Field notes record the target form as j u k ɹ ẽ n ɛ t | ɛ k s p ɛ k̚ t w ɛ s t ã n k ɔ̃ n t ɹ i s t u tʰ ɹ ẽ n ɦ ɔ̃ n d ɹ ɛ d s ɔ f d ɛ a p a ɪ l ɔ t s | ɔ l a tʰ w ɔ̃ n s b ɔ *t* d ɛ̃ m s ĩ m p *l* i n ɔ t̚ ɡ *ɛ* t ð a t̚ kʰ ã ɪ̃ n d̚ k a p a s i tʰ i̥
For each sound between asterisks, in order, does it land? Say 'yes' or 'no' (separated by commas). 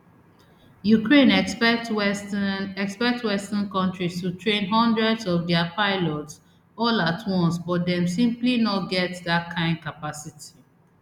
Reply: yes, yes, yes